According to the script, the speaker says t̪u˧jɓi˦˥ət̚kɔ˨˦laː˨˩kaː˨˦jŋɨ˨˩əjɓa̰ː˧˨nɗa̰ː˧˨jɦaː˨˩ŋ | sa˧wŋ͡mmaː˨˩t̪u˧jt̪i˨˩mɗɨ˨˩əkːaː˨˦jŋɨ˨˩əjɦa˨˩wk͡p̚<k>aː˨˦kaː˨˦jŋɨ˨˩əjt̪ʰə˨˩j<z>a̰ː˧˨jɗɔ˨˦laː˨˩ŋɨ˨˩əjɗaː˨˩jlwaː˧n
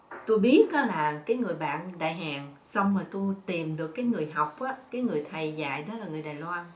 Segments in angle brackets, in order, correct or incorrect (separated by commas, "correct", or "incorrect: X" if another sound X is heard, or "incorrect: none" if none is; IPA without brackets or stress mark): incorrect: ʔ, correct